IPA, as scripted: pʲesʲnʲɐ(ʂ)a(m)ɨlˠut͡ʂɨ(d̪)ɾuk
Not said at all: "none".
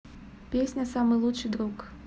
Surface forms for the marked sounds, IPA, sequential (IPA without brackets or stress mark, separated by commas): s, m, d̪